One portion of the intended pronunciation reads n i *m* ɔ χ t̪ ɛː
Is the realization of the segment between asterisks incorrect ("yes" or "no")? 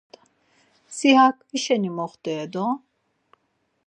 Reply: no